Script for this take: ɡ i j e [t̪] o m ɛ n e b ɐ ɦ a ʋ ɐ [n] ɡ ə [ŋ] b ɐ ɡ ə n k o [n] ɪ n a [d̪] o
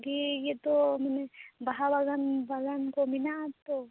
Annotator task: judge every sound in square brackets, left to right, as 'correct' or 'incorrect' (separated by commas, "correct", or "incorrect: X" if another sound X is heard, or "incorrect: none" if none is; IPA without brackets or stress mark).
correct, incorrect: none, incorrect: n, incorrect: m, incorrect: t̪